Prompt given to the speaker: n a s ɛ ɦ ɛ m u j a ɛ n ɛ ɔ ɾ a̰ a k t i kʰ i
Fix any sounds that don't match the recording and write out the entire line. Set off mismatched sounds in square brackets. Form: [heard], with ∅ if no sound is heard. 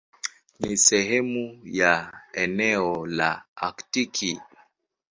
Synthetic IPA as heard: n [i] s ɛ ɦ ɛ m u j a ɛ n ɛ ɔ [l] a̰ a k t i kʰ i